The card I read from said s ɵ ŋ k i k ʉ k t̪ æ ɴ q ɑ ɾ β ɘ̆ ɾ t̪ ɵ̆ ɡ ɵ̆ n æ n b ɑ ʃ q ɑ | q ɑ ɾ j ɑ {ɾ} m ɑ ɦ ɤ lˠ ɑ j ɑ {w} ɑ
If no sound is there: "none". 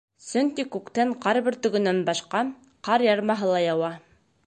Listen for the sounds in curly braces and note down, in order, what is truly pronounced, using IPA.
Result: ɾ, w

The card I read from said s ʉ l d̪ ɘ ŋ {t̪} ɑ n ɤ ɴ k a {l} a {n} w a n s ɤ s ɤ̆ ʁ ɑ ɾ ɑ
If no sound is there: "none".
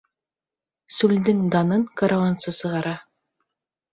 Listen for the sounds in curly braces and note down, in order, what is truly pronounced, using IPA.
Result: d̪, ɾ, none

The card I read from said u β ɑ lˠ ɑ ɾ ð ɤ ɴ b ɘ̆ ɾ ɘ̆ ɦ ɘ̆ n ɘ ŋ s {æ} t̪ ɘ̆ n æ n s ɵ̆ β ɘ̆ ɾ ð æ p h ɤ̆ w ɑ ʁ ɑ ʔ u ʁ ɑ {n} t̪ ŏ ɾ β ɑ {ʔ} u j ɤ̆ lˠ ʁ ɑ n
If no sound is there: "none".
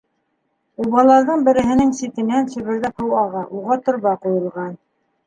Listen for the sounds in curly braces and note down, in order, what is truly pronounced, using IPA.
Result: i, none, q

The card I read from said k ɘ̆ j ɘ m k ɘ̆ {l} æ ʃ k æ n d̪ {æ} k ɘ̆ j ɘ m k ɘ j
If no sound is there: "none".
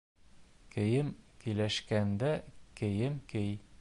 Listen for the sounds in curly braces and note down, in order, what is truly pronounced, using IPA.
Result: l, æ

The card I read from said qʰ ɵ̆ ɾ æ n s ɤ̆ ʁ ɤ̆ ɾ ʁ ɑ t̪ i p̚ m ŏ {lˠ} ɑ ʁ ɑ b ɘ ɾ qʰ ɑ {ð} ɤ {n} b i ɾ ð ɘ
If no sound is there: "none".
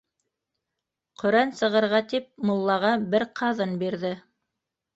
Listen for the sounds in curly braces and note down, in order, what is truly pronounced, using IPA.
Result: lˠː, ð, n

